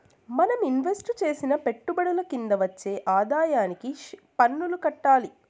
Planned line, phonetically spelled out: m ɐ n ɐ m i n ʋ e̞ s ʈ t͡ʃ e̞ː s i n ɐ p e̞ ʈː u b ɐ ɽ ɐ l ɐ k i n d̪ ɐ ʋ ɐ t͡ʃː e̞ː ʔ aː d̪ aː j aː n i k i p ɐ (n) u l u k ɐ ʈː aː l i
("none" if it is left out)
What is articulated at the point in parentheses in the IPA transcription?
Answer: nː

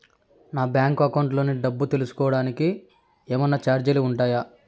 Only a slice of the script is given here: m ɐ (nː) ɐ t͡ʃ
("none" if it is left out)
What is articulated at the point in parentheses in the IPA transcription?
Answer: nː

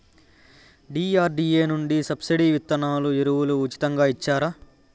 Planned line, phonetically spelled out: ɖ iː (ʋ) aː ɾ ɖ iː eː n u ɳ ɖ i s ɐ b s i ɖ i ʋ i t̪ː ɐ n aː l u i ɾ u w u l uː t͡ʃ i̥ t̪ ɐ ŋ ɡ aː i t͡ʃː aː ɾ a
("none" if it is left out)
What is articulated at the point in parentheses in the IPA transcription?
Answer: none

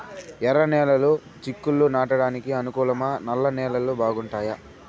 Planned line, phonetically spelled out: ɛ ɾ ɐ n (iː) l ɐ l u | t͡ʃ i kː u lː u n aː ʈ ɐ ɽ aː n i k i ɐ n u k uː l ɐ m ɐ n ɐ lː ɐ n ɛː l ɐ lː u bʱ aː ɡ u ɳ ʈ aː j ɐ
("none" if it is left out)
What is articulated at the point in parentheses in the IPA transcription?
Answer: ɛː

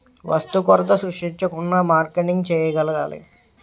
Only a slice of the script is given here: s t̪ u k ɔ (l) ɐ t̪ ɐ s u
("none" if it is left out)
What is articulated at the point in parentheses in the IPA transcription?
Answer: ɾ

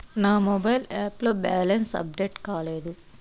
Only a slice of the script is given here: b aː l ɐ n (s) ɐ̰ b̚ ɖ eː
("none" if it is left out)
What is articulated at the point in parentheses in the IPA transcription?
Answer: s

